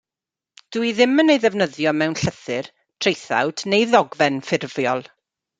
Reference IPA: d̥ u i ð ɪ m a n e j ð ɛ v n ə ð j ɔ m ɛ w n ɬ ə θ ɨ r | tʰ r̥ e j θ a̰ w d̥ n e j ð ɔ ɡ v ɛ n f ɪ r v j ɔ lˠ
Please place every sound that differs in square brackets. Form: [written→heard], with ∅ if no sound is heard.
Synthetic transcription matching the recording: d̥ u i ð ɪ m [a→ə] n e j ð ɛ v n ə ð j ɔ m ɛ w n ɬ ə θ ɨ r | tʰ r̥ e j θ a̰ w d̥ n e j ð ɔ ɡ v ɛ n f ɪ r v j ɔ lˠ